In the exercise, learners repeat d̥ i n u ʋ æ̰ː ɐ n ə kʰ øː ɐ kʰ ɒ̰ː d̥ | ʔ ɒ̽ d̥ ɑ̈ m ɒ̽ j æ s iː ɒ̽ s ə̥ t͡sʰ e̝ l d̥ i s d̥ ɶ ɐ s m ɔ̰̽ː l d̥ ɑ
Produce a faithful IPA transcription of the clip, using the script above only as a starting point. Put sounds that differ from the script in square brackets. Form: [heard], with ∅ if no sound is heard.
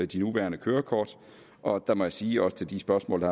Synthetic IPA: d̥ i n u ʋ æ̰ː ɐ n ə kʰ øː ɐ kʰ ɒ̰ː d̥ | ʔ ɒ̽ d̥ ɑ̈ m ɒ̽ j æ s iː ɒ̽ s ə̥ t͡sʰ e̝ l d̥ i s [b̥] ɶ ɐ s m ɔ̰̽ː l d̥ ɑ